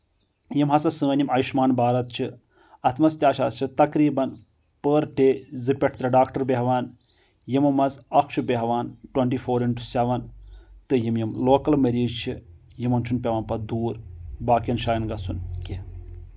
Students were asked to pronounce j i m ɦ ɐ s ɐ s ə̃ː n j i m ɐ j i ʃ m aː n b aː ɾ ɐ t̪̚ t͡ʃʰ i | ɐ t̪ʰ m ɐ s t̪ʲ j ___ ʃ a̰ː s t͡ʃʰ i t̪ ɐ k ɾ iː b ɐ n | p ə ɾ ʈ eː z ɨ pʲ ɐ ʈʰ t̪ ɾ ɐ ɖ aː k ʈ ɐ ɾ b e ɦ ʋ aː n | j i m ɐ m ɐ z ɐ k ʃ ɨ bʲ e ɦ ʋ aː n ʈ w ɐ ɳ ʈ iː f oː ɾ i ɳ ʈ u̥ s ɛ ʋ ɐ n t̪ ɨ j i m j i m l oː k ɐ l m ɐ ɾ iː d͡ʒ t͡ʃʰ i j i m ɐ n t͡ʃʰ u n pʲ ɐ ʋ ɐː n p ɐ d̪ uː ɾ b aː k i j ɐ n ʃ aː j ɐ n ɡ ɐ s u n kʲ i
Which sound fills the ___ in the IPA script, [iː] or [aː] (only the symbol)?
aː